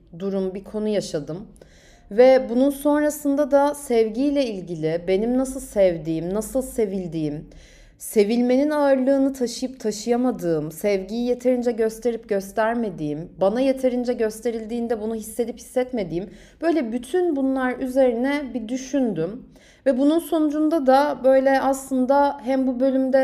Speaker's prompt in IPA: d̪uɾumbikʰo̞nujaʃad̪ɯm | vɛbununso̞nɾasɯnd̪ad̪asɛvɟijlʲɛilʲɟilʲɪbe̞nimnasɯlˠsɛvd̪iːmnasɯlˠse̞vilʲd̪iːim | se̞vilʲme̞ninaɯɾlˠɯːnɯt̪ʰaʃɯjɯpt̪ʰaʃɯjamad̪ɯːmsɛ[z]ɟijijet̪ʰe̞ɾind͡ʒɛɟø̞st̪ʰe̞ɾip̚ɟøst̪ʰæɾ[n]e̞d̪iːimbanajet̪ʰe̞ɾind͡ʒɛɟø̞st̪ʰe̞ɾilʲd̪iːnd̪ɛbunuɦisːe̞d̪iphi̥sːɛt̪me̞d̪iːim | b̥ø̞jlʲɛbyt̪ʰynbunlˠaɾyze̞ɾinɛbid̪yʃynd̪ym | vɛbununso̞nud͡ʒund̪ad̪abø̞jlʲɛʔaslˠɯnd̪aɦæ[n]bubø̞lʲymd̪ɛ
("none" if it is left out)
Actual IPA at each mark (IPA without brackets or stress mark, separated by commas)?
v, m, m